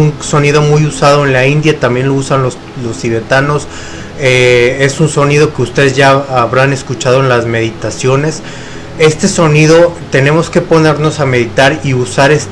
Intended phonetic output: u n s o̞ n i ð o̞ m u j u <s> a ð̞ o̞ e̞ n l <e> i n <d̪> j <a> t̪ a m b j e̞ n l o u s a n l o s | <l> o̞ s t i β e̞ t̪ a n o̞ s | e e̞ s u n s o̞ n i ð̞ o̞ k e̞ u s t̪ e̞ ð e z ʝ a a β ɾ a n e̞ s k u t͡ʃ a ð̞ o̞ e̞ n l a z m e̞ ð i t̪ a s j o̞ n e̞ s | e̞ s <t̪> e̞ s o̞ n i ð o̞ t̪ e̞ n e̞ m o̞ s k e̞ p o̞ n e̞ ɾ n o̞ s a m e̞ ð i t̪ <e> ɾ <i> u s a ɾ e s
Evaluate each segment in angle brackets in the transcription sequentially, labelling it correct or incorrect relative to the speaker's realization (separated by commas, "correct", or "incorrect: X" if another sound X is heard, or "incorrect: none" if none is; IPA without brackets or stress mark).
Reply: correct, incorrect: a, correct, correct, correct, correct, incorrect: a, correct